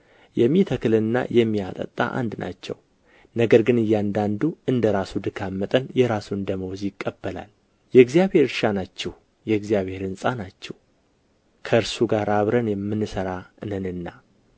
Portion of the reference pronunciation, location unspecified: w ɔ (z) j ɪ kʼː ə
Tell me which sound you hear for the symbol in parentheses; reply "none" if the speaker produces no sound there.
z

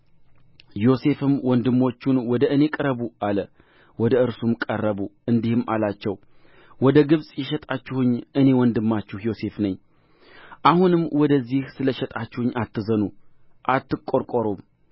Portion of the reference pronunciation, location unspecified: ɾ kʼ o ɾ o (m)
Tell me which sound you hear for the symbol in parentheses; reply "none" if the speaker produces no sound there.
m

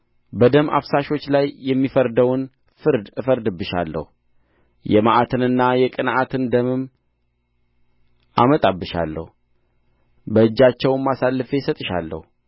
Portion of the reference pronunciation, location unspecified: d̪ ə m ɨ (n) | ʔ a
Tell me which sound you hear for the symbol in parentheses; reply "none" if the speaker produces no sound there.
m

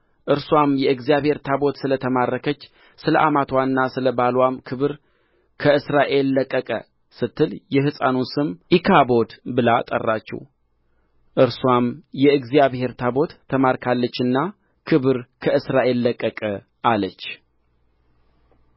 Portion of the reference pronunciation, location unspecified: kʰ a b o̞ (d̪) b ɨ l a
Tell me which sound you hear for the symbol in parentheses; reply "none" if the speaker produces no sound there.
d̪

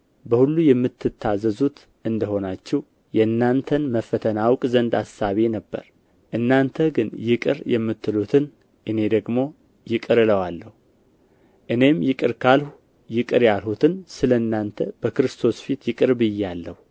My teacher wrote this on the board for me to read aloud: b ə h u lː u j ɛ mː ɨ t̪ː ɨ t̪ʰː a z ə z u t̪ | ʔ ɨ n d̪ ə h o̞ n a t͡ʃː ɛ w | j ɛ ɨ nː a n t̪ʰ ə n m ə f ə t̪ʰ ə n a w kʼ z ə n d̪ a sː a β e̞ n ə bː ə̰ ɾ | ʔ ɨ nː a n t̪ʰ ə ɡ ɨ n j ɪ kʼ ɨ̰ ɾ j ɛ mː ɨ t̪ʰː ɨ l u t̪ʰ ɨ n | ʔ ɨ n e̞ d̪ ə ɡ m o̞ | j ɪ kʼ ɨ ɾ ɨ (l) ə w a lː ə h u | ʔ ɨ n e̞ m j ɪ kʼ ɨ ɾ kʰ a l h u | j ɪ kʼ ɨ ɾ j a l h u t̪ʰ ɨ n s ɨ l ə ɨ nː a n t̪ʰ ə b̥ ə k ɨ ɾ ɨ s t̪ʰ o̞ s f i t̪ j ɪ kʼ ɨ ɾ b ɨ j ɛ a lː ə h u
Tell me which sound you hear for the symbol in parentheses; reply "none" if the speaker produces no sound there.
l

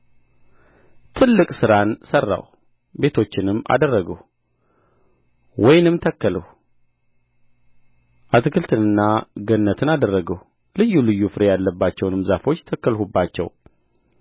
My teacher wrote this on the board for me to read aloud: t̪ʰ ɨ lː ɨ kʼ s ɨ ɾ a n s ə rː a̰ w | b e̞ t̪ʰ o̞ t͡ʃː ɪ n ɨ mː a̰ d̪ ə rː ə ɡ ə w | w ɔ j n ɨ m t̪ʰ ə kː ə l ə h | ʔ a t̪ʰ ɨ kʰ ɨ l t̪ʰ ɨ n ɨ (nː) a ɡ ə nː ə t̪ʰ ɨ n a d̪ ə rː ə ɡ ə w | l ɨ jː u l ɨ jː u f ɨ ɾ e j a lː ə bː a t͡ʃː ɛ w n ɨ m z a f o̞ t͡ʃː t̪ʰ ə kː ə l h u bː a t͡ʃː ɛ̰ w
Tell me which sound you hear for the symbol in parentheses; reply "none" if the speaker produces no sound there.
nː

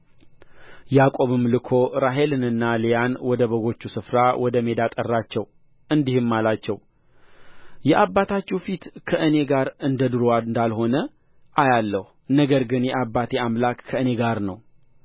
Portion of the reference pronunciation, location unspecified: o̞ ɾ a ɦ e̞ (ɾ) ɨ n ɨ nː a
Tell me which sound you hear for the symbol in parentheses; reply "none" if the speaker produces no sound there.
l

